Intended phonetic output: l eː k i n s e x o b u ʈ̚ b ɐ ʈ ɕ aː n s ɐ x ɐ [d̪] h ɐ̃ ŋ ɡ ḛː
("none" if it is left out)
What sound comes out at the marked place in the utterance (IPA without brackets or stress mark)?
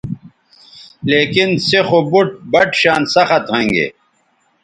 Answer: t̪